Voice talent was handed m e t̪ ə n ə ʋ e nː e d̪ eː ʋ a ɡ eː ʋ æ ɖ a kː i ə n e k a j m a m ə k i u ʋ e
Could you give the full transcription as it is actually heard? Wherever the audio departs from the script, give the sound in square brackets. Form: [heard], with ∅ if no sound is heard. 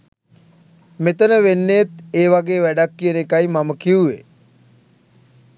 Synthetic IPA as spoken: m e t̪ ə n ə ʋ e nː e [t̪] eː ʋ a ɡ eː ʋ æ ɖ a kː i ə n e k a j m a m ə k i u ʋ e